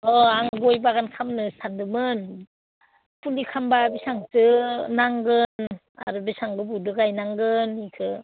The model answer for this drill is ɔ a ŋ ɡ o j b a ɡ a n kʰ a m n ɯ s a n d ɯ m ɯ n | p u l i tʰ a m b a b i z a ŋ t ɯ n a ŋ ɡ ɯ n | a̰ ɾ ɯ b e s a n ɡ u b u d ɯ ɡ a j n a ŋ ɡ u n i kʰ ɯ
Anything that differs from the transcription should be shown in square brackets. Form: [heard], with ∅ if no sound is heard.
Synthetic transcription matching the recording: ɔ a ŋ ɡ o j b a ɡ a n kʰ a m n ɯ s a n d ɯ m ɯ n | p u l i [kʰ] a m b a b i [s] a ŋ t ɯ n a ŋ ɡ ɯ n | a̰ ɾ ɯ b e s a [ŋ] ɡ [ɯ] b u d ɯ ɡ a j n a ŋ ɡ [ɯ] n i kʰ ɯ